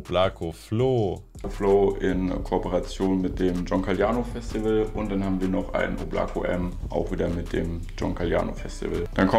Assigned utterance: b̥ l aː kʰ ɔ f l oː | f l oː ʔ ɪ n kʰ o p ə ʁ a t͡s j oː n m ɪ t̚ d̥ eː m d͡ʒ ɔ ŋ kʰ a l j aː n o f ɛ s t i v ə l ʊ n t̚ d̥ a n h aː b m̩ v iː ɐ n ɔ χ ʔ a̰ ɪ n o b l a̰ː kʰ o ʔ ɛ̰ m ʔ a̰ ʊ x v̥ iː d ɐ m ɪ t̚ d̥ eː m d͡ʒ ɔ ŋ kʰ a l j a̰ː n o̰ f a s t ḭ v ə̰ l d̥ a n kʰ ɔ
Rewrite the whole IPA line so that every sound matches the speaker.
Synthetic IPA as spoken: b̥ l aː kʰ o f l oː | f l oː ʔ ɪ n kʰ o p ə ʁ a t͡s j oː n m ɪ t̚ d̥ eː m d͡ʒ ɔ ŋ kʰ a l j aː n o f ɛ s t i v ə l ʊ n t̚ d̥ a n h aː b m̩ v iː ɐ n ɔ χ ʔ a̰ ɪ n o b l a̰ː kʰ o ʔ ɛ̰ m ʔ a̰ ʊ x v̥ iː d ɐ m ɪ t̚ d̥ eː m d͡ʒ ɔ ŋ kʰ a l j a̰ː n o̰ f ɛ s t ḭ v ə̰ l d̥ a n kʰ ɔ